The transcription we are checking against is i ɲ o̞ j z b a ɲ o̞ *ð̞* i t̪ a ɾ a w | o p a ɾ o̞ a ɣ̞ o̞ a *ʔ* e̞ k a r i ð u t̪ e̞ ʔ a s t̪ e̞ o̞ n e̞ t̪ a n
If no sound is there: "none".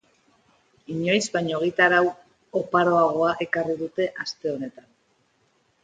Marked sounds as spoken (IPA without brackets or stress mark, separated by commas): ɣ̞, ʔ